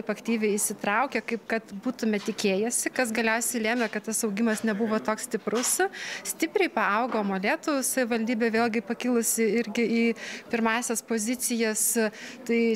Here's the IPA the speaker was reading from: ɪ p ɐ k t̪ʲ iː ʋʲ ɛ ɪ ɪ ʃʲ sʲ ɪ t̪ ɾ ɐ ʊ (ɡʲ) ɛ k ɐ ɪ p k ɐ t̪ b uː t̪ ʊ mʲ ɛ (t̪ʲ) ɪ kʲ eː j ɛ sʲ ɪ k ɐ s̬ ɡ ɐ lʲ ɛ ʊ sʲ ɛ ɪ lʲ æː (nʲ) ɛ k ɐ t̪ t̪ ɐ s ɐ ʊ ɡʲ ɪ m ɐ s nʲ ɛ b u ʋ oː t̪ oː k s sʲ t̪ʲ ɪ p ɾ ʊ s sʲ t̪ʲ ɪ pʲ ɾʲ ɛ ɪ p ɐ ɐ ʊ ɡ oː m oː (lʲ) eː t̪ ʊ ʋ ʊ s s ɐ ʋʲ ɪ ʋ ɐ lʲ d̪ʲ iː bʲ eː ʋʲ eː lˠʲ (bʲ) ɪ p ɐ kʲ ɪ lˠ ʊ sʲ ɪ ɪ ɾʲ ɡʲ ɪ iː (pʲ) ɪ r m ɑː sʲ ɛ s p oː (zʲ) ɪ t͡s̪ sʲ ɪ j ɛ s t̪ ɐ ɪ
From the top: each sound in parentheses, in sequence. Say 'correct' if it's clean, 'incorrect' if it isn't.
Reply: incorrect, correct, incorrect, correct, incorrect, correct, correct

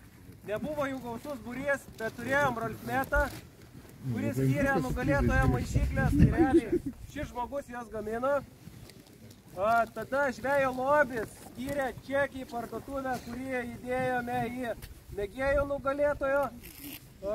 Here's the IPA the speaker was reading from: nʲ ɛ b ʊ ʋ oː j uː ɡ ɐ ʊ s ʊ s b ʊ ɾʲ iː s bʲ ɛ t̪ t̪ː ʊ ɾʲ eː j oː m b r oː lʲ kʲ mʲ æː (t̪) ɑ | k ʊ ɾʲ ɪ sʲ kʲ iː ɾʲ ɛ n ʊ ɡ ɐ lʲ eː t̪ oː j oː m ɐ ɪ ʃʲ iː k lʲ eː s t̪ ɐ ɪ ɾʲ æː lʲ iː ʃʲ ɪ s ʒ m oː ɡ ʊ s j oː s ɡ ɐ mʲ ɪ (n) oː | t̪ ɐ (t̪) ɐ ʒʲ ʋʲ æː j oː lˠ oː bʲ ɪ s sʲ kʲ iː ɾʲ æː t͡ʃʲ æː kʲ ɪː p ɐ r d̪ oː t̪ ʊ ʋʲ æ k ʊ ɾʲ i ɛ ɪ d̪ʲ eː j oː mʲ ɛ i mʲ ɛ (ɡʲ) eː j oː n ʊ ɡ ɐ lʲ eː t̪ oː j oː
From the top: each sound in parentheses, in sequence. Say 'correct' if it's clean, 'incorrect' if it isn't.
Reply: correct, correct, incorrect, correct

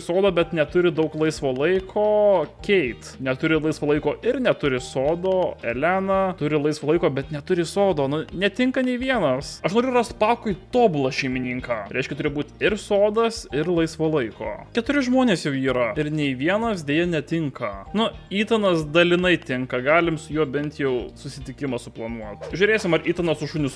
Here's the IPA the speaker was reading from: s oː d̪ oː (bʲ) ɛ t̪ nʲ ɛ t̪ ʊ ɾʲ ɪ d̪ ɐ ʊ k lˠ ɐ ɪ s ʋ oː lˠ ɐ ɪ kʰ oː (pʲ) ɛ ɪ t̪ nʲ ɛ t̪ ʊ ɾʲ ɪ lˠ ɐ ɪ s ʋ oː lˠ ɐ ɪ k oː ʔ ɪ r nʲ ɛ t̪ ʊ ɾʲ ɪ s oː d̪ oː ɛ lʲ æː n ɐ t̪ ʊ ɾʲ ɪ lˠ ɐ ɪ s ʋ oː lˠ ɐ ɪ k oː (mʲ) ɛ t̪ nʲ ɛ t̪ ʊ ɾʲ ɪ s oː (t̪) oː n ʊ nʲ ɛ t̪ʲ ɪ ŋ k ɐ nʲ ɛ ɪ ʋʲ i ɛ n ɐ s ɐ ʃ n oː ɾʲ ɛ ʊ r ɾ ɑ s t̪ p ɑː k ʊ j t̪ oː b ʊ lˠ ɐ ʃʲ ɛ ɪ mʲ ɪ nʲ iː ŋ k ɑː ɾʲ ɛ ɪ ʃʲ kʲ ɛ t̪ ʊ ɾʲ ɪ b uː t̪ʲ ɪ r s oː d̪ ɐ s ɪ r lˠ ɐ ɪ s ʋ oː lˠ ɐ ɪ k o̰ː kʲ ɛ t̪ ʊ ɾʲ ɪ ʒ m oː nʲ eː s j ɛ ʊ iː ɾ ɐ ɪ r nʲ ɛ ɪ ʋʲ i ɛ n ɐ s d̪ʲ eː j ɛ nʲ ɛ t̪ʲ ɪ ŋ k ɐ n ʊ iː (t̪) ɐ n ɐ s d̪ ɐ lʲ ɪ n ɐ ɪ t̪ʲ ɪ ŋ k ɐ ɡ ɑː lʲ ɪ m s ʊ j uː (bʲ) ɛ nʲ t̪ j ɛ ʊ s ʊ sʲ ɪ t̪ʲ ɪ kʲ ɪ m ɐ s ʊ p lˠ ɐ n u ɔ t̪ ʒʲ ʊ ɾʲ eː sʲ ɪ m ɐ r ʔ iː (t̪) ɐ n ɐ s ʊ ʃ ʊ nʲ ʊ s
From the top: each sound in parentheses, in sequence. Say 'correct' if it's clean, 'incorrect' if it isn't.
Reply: correct, incorrect, incorrect, incorrect, correct, correct, correct

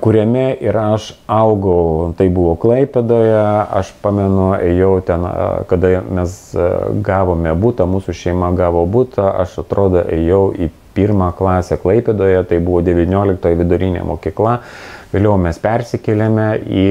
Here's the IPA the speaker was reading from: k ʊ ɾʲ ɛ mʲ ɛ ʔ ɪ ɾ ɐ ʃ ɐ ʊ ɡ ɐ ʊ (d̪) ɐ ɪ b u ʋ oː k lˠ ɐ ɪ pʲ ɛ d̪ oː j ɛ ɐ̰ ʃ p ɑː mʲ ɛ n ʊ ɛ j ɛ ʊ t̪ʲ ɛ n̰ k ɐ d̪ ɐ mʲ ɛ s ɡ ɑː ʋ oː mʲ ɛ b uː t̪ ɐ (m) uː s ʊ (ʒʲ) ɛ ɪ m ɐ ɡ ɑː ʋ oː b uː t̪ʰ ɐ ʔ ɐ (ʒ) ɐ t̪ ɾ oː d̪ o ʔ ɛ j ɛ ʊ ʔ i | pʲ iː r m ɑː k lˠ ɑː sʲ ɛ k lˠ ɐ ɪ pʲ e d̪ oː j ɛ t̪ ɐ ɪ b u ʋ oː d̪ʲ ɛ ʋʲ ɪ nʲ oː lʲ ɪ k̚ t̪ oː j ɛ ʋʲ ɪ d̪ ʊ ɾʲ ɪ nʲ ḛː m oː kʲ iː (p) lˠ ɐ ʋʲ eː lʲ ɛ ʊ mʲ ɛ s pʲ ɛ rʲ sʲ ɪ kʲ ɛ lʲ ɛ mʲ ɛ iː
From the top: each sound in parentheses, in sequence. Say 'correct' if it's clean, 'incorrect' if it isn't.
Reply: incorrect, correct, incorrect, incorrect, incorrect

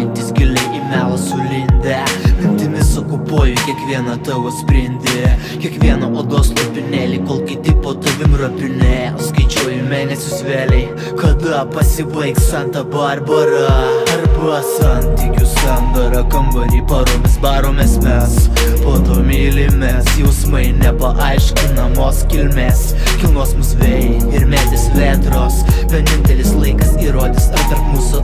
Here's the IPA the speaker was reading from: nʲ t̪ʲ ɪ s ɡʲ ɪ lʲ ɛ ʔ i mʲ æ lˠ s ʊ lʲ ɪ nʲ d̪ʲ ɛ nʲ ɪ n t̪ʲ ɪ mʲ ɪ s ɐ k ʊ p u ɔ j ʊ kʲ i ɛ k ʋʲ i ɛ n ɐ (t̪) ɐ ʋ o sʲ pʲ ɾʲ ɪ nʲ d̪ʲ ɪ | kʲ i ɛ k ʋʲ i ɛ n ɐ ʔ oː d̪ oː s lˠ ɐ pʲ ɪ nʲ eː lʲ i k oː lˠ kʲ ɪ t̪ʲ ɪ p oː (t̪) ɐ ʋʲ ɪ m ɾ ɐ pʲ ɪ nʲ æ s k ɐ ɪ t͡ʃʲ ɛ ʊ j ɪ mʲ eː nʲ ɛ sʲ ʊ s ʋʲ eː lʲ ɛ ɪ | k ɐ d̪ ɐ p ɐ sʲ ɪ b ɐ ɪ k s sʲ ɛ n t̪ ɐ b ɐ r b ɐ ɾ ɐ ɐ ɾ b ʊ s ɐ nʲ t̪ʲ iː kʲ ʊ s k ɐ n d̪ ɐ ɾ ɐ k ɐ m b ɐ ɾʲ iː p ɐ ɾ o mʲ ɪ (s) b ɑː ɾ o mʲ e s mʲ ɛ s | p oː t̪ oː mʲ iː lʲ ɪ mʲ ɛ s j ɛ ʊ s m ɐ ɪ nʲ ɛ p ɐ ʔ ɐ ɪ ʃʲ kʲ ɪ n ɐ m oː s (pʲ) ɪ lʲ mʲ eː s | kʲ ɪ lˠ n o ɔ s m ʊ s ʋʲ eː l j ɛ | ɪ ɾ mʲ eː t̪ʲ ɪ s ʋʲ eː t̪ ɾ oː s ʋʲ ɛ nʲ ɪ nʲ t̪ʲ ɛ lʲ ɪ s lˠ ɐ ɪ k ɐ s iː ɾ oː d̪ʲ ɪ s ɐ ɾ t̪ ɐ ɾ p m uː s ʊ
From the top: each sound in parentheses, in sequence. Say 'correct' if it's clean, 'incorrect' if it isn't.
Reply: correct, correct, correct, incorrect

